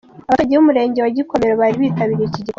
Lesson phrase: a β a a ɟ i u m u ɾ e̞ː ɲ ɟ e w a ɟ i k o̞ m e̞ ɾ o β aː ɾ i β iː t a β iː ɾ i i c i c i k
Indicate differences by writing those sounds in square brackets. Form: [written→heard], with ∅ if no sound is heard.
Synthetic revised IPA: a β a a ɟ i u m u ɾ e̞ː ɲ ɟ e w a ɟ i k o̞ m e̞ ɾ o β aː ɾ i β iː t a β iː ɾ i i c i [c→ɟ] i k